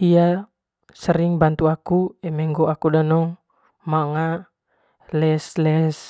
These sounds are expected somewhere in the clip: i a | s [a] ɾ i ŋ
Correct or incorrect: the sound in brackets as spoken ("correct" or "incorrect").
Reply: incorrect